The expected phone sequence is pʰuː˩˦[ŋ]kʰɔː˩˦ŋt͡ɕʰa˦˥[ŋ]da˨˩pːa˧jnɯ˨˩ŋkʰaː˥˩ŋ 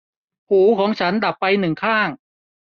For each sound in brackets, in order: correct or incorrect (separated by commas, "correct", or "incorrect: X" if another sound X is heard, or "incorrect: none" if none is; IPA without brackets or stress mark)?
incorrect: none, incorrect: n